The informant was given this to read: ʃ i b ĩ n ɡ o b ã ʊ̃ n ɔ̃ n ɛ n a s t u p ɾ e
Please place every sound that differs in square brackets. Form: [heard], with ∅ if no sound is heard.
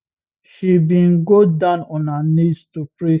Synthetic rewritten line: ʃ i b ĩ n ɡ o [d] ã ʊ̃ n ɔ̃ n [a] n [i] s t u p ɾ e